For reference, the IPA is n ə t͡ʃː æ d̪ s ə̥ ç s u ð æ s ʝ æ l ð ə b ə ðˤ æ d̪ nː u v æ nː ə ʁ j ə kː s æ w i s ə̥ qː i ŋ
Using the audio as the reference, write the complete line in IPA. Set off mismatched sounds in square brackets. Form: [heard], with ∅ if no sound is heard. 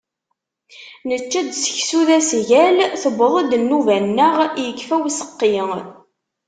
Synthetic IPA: n ə t͡ʃː æ d̪ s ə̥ ç s u ð æ s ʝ æ l [θ] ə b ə ðˤ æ d̪ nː u v æ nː ə ʁ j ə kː [f] æ w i s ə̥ qː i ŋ